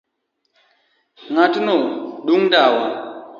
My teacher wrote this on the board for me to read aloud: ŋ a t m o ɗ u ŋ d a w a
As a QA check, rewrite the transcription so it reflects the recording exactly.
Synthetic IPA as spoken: ŋ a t n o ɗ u ŋ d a w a

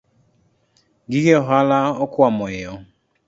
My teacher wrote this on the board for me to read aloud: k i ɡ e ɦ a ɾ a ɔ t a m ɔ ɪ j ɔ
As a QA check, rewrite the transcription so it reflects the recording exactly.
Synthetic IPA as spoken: ɡ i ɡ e ɦ a l a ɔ k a m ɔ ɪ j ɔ

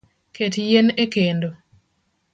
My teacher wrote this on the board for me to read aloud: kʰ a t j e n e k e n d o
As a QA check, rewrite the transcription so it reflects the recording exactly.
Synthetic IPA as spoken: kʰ e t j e n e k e n d o

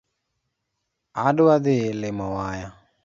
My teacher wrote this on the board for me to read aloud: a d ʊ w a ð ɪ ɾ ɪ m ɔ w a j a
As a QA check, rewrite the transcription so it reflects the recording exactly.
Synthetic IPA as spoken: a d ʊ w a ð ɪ l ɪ m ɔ w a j a

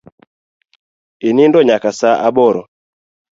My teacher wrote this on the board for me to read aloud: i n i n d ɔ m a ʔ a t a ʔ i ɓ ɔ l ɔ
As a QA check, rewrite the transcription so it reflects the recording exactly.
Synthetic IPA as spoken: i n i n d ɔ ɲ a k a s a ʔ a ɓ ɔ ɾ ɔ

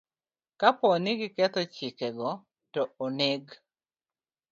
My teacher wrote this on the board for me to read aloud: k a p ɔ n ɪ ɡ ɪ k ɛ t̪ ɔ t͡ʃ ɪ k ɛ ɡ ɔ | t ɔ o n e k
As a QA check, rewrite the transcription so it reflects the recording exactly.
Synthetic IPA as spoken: k a p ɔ n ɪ ɡ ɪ k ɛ t̪ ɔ t͡ʃ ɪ k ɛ ɡ ɔ | t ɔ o n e ɡ

